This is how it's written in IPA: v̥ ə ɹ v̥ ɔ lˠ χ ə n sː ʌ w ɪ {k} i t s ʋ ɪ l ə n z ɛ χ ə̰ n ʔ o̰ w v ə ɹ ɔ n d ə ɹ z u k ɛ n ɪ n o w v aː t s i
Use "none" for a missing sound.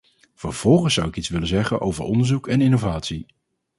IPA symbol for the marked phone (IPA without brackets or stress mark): k